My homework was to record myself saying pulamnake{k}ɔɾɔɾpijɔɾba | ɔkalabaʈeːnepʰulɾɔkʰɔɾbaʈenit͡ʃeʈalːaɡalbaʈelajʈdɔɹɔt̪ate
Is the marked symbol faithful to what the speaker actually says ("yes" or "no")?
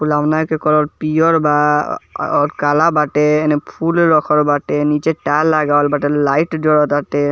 yes